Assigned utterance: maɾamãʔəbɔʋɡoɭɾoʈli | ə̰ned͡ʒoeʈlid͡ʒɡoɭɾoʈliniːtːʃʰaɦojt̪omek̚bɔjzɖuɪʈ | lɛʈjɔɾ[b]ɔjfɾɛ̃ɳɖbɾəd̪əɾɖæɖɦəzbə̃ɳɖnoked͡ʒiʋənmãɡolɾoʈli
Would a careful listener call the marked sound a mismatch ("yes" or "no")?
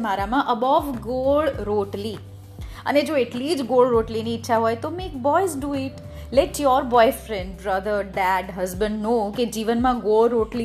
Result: no